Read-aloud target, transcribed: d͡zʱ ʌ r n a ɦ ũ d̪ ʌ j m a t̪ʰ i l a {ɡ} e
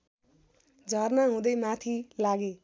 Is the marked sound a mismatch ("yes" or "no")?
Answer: no